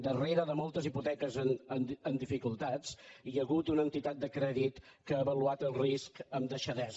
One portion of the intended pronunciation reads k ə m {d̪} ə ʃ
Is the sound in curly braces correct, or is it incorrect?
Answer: correct